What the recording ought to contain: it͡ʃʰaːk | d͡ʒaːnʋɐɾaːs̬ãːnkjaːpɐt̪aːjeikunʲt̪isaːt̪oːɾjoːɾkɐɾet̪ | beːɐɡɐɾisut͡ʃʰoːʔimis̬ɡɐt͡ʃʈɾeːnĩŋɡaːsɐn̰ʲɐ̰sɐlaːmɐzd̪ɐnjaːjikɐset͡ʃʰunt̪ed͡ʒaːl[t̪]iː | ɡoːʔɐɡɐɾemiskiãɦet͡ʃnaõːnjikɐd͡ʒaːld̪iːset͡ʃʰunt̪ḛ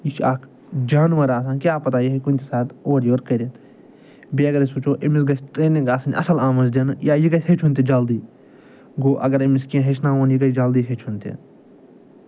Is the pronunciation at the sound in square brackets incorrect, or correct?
incorrect